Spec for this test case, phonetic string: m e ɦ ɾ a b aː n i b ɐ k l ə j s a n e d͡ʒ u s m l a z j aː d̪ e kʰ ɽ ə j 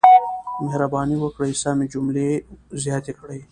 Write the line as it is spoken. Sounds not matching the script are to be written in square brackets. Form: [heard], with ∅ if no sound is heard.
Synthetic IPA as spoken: m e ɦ ɾ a b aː n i [w] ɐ k [ɽ] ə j s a [m] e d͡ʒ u [∅] m l [e] z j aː [t̪] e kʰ ɽ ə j